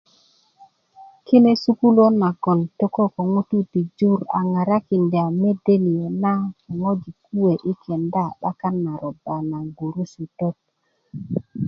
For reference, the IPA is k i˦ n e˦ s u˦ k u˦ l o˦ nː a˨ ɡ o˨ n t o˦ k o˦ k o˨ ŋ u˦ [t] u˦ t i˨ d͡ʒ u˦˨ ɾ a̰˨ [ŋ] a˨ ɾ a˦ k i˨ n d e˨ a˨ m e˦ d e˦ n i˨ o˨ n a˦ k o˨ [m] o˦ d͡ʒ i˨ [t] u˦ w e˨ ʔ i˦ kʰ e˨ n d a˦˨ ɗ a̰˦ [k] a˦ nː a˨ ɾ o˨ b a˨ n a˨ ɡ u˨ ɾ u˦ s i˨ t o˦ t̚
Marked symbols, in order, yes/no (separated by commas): yes, yes, no, no, yes